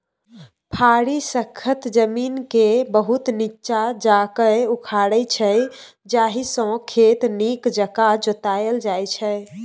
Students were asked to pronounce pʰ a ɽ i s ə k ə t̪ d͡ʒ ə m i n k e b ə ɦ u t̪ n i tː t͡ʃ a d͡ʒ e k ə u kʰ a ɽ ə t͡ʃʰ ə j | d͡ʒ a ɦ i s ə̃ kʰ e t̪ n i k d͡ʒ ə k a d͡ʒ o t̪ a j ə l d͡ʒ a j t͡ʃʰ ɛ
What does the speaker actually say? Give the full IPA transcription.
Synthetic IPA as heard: pʰ a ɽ i s ə kʰ ə t̪ d͡ʒ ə m i n k e b ə ɦ u t̪ n i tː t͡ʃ a d͡ʒ a k ə u kʰ a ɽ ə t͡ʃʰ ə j | d͡ʒ a ɦ i s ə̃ kʰ e t̪ n i k d͡ʒ ə k a d͡ʒ o t̪ a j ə l d͡ʒ a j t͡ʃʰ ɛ